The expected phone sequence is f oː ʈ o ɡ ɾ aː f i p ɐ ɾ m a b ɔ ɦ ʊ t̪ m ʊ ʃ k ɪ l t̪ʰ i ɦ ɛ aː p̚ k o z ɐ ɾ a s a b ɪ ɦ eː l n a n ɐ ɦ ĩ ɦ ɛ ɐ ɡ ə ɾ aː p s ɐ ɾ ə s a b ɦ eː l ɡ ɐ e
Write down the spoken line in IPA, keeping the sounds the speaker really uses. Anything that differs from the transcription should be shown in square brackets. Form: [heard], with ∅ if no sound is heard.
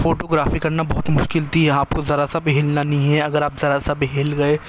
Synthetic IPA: f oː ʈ o ɡ ɾ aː f i [k] ɐ ɾ [n] a b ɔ ɦ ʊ t̪ m ʊ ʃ k ɪ l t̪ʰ i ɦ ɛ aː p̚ k o z ɐ ɾ a s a b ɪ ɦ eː l n a n ɐ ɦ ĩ ɦ ɛ ɐ ɡ ə ɾ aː p [z] ɐ ɾ [a] s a b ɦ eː l ɡ ɐ e